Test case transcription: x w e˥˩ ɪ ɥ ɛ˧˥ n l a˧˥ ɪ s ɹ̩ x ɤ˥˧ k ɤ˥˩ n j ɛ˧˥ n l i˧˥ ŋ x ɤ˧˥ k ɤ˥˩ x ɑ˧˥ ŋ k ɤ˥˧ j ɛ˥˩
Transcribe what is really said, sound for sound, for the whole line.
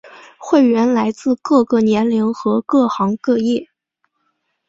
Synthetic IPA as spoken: x w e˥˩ ɪ ɥ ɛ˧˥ n l a˧˥ ɪ t͡s ɹ̩ k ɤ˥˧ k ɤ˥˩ n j ɛ˧˥ n l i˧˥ ŋ x ɤ˧˥ k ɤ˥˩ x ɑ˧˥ ŋ k ɤ˥˧ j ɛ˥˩

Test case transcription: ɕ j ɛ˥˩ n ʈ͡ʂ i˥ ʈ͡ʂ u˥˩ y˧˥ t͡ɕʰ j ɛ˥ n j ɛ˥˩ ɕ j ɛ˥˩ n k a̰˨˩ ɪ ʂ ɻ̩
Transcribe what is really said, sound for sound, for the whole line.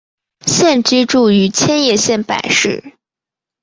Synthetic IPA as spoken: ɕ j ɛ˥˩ n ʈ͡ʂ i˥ ʈ͡ʂ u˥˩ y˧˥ t͡ɕʰ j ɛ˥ n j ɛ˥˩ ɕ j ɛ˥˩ n p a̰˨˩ ɪ ʂ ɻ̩

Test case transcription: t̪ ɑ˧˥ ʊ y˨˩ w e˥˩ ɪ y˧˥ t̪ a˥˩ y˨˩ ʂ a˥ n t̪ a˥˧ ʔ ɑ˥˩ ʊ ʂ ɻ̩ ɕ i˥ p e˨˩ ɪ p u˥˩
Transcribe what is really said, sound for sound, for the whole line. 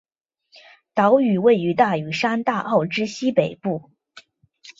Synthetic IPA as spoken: t̪ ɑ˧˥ ʊ y˨˩ w e˥˩ ɪ y˧˥ t̪ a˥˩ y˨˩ ʂ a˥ n t̪ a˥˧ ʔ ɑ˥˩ ʊ ʈ͡ʂ ɻ̩ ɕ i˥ p e˨˩ ɪ p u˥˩

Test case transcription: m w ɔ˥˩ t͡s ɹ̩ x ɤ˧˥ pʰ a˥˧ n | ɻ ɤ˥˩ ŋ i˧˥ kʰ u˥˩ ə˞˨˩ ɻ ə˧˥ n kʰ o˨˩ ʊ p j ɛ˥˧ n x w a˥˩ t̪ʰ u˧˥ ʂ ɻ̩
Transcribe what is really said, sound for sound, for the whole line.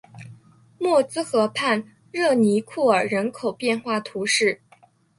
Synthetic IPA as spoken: m w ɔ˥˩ t͡s ɹ̩ x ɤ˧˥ pʰ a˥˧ n | ɻ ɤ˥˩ n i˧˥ kʰ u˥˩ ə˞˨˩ ɻ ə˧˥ n kʰ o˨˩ ʊ p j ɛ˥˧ n x w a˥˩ t̪ʰ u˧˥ ʂ ɻ̩

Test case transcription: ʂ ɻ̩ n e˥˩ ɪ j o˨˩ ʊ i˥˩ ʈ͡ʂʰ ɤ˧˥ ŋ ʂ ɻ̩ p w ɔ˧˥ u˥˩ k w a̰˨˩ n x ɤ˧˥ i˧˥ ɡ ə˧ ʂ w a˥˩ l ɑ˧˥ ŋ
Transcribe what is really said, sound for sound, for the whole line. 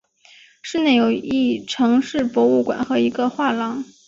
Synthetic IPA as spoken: ʂ ɻ̩ n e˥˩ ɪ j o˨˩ ʊ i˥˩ ʈ͡ʂʰ ɤ˧˥ ŋ ʂ ɻ̩ p w ɔ˧˥ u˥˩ k w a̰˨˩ n x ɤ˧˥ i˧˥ ɡ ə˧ x w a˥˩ l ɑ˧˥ ŋ

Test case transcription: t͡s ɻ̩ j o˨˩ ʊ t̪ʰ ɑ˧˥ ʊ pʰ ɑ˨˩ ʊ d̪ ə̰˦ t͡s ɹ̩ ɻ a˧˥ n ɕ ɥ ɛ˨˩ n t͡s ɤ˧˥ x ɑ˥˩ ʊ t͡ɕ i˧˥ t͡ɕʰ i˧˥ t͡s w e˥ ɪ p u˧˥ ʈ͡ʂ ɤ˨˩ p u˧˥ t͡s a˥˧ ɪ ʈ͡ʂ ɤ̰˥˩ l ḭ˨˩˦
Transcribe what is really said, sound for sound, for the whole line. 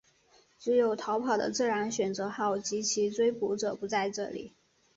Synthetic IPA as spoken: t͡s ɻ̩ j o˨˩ ʊ t̪ʰ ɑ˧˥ ʊ pʰ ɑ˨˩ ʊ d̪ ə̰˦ t͡s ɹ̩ ɻ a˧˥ n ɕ ɥ ɛ˨˩ n t͡s ɤ˧˥ x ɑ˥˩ ʊ t͡ɕ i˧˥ t͡ɕʰ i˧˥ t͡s w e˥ ɪ p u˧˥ ʈ͡ʂ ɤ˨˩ p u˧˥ t͡s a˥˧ ɪ ʈ͡ʂ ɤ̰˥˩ l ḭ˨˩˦

